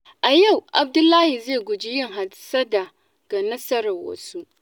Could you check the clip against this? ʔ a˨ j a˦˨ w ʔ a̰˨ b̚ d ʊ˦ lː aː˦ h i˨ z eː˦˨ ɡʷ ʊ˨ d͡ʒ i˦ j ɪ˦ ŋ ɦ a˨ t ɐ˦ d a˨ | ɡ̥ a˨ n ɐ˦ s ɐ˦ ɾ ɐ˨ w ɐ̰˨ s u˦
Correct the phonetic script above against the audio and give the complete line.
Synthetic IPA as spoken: ʔ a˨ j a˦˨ w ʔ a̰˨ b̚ d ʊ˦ lː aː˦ h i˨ z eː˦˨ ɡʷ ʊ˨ d͡ʒ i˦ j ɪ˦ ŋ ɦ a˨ s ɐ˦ d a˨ | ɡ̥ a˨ n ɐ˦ s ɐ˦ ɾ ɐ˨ w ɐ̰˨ s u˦